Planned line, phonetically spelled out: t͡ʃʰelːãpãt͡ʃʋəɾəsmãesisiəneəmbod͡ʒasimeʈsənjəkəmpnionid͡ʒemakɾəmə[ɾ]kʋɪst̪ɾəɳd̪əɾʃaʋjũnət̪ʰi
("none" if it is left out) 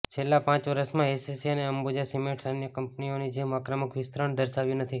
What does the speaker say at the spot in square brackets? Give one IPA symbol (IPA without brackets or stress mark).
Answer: none